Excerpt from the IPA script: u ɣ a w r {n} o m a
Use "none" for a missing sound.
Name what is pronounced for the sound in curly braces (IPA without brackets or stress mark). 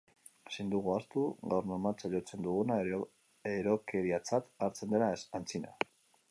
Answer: n